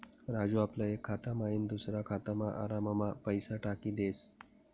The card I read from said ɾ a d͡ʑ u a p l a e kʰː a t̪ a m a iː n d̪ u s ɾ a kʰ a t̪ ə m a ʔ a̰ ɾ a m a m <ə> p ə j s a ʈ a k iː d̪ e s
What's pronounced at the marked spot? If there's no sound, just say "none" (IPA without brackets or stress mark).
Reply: a